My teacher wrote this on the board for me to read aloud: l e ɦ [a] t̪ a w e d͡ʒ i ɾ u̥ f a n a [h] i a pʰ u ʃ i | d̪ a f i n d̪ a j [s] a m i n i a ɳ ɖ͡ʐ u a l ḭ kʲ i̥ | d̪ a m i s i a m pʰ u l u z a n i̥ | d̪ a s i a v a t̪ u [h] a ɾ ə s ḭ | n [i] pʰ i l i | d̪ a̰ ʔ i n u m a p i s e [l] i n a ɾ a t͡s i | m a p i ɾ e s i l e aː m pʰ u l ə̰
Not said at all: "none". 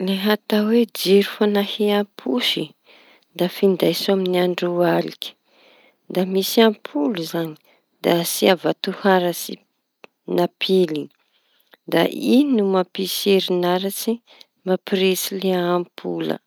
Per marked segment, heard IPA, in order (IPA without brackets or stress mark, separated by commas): a, h, s, h, a, ɾ